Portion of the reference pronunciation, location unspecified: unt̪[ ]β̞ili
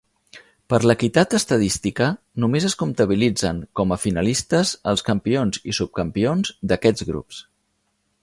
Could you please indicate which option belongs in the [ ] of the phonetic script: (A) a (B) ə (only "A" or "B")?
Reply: B